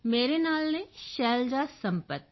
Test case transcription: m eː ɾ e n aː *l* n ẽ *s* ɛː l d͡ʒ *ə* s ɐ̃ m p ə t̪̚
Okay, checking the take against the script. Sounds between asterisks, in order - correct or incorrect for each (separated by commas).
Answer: correct, incorrect, incorrect